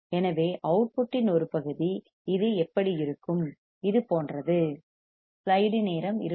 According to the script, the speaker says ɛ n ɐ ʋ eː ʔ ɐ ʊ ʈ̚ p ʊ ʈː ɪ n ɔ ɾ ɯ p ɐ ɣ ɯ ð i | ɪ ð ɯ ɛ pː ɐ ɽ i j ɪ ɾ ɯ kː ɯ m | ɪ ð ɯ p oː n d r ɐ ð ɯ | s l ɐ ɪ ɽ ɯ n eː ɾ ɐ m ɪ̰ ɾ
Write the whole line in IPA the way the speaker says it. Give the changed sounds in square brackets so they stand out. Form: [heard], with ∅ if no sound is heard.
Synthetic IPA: ɛ n ɐ ʋ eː ʔ ɐ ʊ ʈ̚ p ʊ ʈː ɪ n ɔ ɾ ɯ p ɐ ɣ ɯ ð i | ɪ ð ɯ ɛ pː ɐ ɽ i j ɪ ɾ ɯ kː ɯ m | ɪ ð ɯ p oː n d r ɐ ð ɯ | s l ɐ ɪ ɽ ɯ n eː ɾ ɐ m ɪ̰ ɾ